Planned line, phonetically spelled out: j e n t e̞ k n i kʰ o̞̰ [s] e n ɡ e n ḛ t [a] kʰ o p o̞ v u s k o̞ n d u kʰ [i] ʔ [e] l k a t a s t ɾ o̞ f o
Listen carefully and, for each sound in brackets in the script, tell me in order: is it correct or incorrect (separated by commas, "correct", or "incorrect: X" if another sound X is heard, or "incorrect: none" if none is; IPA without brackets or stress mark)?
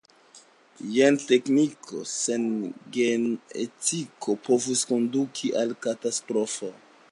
correct, incorrect: i, correct, incorrect: a